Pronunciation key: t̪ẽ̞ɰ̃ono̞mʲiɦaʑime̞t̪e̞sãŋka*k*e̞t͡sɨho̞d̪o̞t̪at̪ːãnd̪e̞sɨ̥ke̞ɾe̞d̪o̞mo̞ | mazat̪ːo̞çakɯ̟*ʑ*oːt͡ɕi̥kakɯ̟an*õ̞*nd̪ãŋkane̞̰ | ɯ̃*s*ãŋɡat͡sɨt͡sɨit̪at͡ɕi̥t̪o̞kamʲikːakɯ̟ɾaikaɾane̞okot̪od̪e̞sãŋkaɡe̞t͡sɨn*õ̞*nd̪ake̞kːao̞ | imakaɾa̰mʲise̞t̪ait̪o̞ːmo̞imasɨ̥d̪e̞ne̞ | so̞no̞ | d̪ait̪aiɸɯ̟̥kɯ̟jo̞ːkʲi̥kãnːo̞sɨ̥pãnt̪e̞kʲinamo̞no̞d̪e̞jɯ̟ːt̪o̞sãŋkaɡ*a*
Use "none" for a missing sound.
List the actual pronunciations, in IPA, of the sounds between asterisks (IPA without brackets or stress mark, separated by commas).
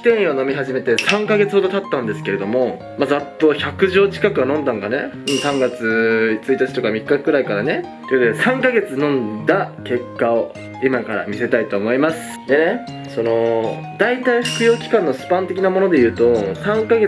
ɡ, ʑ, õ̞, s, õ̞, e